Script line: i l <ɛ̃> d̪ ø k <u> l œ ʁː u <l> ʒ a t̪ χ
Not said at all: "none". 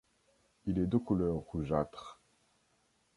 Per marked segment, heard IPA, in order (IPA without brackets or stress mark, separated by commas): ɛ, u, none